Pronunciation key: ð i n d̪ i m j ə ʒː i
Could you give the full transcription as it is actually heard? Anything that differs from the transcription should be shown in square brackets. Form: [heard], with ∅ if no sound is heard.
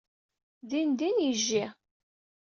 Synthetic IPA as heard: ð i n d̪ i [n] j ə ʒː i